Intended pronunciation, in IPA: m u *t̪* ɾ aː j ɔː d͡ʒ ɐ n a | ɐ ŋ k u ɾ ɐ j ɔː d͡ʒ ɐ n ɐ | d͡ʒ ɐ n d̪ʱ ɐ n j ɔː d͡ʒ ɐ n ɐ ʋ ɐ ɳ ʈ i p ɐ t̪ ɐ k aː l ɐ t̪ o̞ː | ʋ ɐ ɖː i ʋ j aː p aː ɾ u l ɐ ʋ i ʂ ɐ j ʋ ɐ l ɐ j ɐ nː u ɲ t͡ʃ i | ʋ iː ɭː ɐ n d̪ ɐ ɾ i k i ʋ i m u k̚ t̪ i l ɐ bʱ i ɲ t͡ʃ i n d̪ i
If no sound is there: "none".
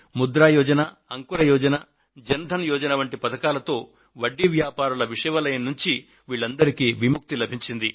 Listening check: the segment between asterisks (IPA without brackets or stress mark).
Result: d̪